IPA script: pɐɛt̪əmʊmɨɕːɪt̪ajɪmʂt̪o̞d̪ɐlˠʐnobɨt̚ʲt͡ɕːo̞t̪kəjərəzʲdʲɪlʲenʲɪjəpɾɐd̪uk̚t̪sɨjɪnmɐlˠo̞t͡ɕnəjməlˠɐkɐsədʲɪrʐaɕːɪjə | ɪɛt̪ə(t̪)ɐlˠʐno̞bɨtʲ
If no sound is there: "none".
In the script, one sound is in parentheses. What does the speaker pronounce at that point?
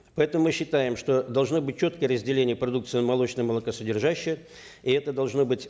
d̪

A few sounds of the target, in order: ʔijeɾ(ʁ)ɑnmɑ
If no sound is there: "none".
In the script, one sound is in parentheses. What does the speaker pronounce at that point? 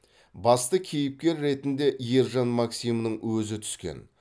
ʒ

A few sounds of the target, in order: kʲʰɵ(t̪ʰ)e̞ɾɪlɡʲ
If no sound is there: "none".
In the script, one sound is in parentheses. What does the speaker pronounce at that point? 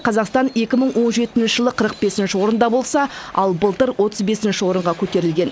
t̪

